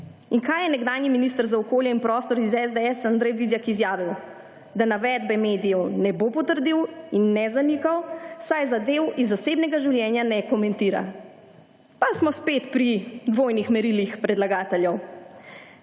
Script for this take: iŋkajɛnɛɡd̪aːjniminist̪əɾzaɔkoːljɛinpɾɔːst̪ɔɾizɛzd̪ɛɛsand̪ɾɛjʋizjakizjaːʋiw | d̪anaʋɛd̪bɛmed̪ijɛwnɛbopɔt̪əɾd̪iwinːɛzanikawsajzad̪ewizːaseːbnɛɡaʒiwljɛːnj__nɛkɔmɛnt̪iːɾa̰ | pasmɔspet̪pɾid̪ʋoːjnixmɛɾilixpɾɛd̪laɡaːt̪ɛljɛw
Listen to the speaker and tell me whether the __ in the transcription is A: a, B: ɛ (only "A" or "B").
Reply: A